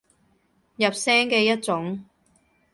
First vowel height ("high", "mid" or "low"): low